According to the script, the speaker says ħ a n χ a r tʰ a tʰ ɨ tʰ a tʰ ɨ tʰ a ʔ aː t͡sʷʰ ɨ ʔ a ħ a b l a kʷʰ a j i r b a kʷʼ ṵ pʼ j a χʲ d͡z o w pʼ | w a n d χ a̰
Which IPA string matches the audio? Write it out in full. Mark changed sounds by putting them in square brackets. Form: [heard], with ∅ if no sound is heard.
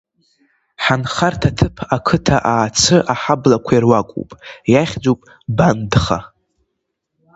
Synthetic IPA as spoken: ħ a n χ a r tʰ a tʰ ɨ [pʰ] a [kʰ] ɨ tʰ a ʔ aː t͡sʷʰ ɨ ʔ a ħ a b l a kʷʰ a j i r [w] a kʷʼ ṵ pʼ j a χʲ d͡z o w pʼ | [b] a n d χ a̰